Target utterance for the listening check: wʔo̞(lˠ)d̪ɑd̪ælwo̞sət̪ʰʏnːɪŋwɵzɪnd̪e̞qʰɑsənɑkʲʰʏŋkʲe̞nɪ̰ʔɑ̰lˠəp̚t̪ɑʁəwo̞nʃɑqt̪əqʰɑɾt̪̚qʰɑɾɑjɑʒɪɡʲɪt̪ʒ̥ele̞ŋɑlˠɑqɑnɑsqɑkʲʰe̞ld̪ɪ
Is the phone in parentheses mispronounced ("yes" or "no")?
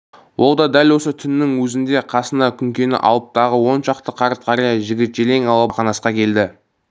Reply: no